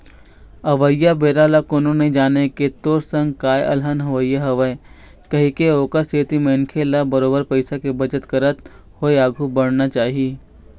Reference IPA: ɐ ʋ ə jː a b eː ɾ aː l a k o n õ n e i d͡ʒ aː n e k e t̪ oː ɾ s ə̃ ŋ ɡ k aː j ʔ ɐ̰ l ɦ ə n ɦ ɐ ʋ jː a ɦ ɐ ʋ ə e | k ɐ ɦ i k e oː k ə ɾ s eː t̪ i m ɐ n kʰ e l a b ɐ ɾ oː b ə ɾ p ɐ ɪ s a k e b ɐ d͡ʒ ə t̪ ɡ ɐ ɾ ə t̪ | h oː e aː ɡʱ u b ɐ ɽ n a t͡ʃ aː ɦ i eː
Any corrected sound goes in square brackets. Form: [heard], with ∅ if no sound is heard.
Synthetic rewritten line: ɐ ʋ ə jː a b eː ɾ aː l a k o n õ n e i d͡ʒ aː n e k e t̪ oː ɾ s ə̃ ŋ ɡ k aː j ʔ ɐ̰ l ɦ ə n ɦ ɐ ʋ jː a ɦ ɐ ʋ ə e | k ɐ ɦ i k e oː k ə ɾ s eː t̪ i m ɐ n kʰ e l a b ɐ ɾ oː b ə ɾ p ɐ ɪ s a k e b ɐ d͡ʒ ə t̪ [k] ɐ ɾ ə t̪ | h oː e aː ɡʱ u b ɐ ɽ n a t͡ʃ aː ɦ i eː

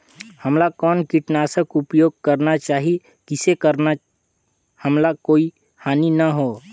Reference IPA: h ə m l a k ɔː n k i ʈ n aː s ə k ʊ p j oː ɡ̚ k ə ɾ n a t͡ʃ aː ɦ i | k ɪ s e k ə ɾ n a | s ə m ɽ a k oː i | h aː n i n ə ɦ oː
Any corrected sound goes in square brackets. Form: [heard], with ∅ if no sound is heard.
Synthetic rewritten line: h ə m l a k ɔː n k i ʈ n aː s ə k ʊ p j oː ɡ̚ k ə ɾ n a t͡ʃ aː ɦ i | k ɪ s e k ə ɾ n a | [h] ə m [l] a k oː i | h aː n i n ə ɦ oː

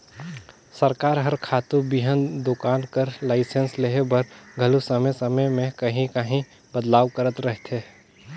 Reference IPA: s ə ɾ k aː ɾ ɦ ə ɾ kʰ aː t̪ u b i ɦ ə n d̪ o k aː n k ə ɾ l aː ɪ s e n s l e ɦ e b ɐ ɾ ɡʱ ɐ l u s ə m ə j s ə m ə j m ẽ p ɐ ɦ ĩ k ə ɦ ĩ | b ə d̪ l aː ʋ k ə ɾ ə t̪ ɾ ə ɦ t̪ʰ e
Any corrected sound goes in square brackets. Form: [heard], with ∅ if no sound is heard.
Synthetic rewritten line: s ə ɾ k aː ɾ ɦ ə ɾ kʰ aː t̪ u b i ɦ ə n d̪ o k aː n k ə ɾ l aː ɪ s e n s l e ɦ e b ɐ ɾ ɡʱ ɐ l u s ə m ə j s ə m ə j m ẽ [k] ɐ ɦ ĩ k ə ɦ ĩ | b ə d̪ l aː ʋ k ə ɾ ə t̪ ɾ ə ɦ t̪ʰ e

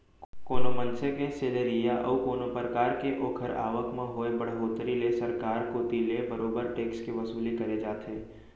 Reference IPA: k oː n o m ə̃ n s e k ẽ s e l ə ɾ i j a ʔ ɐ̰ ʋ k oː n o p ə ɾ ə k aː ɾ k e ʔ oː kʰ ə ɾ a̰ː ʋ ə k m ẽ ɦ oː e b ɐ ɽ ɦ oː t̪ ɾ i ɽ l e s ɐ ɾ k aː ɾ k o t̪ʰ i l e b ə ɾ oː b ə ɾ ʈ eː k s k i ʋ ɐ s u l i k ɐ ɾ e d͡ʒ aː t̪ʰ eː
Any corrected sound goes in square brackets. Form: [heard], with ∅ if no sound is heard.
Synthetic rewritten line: k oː n o m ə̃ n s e k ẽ s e l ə ɾ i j a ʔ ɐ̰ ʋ k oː n o p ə ɾ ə k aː ɾ k e ʔ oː kʰ ə ɾ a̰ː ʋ ə k m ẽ ɦ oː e b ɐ ɽ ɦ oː t̪ ɾ i [∅] l e s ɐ ɾ k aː ɾ k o [t̪] i l e b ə ɾ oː b ə ɾ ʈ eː k s k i ʋ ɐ s [uː] l i k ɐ ɾ e d͡ʒ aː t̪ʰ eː

